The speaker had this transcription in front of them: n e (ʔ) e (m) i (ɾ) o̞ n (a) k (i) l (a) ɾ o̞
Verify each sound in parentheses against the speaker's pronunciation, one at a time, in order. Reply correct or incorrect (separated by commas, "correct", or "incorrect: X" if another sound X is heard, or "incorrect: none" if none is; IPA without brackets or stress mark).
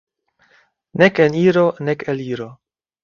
incorrect: k, incorrect: n, correct, incorrect: e, incorrect: e, incorrect: i